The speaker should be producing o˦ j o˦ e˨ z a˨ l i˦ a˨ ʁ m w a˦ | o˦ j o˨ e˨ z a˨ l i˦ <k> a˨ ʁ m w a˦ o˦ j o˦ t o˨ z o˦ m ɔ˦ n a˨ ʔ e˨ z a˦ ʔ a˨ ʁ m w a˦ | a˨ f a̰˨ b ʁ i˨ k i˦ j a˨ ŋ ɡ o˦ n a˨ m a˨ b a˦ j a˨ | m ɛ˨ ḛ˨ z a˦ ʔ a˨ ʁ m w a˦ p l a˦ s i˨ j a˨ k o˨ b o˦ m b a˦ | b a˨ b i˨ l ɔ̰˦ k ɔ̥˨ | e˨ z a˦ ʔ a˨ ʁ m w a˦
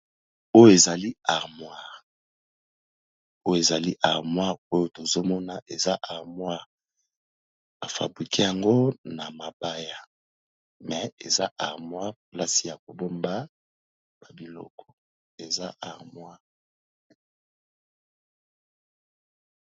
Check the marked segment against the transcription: incorrect: ʔ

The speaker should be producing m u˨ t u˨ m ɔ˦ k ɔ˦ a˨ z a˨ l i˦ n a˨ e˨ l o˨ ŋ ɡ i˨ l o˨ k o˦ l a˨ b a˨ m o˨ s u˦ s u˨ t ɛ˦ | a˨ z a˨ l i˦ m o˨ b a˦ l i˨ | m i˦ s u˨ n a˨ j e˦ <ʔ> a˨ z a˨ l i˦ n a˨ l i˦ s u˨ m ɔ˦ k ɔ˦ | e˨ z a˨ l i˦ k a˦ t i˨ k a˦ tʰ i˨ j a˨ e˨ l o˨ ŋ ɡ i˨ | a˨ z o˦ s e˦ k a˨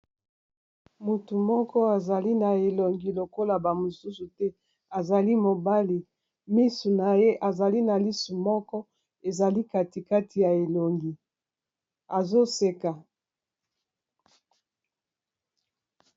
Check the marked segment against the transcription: correct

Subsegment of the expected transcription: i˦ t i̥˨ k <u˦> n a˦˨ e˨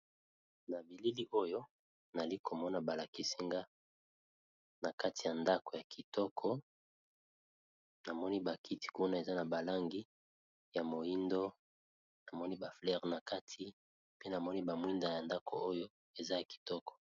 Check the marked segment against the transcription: correct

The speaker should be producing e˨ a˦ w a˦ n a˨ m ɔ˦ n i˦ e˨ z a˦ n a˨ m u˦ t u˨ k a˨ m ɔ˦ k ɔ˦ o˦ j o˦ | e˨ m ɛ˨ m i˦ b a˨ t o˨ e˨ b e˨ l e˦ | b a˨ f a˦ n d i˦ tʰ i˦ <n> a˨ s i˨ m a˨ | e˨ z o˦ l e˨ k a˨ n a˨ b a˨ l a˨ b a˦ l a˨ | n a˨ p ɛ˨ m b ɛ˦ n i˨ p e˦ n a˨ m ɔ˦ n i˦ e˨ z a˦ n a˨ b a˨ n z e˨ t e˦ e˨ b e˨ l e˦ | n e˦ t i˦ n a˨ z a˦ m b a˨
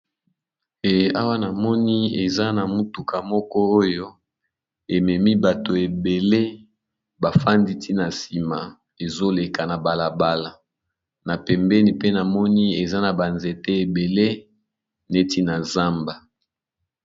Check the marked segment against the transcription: correct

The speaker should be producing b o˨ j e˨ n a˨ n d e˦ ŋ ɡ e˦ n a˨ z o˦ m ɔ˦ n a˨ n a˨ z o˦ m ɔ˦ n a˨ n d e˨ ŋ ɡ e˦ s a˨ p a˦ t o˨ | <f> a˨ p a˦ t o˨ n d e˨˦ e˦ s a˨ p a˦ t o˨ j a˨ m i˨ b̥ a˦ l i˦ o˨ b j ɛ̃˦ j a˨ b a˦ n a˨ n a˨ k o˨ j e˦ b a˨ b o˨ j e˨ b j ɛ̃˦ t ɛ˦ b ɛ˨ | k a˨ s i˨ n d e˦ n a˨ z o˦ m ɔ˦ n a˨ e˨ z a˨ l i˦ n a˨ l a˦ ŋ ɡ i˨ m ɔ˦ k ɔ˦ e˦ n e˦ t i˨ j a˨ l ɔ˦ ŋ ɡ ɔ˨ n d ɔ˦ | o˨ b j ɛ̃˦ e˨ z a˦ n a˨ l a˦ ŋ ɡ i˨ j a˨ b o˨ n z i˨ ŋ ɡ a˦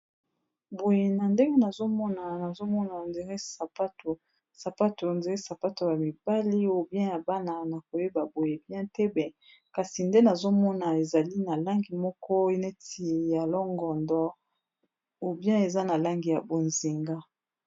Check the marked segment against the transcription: incorrect: s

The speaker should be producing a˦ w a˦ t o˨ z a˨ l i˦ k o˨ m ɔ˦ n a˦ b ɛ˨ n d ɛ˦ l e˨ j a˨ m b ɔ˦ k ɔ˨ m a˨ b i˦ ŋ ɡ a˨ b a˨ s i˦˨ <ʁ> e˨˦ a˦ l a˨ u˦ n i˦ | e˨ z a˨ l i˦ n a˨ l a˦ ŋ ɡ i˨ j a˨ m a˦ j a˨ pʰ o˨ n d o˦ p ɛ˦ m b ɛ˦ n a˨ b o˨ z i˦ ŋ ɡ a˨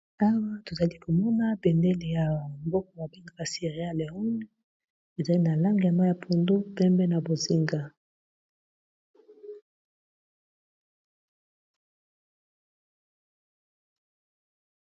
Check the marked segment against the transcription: correct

